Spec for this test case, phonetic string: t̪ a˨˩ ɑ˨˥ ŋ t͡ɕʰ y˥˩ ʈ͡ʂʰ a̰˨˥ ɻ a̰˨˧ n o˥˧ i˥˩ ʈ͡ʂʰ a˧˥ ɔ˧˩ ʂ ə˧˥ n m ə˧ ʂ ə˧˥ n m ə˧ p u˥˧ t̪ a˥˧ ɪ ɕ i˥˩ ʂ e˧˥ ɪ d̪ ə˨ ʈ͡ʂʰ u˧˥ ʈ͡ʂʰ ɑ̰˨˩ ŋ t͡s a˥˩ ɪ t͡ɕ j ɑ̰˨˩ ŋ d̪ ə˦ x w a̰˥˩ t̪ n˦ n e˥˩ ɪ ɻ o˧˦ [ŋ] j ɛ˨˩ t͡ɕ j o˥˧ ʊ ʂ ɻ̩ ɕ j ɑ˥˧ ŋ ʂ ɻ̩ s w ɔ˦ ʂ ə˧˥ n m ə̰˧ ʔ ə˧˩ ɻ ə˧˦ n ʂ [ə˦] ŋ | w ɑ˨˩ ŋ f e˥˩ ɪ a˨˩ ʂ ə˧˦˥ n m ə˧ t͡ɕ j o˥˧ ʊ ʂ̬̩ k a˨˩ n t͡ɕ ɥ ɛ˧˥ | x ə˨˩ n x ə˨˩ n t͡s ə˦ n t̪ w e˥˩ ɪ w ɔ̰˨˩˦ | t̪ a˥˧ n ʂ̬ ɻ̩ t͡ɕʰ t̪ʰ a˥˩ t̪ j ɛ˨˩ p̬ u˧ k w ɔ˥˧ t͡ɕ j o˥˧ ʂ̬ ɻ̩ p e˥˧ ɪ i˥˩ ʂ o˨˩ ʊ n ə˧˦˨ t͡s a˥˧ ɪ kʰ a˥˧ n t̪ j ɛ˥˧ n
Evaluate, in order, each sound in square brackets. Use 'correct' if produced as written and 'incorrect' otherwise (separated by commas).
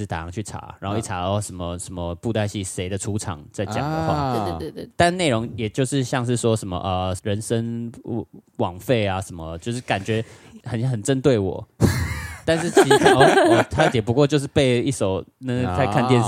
correct, correct